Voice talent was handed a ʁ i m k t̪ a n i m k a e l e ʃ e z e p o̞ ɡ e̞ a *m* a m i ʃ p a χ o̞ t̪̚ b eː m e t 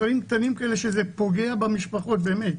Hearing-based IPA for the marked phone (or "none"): b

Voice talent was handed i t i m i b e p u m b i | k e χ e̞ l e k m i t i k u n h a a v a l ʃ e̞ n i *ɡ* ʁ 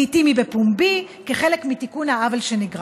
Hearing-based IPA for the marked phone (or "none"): ɡ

